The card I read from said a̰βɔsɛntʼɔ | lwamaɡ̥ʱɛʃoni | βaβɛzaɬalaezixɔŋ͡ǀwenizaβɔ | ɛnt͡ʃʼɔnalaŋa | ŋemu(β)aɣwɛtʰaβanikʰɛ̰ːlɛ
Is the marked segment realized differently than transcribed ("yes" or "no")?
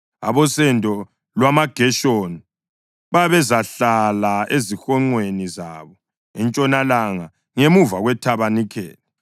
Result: yes